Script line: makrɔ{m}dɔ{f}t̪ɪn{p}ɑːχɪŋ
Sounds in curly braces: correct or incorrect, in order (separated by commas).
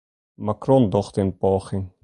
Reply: incorrect, incorrect, correct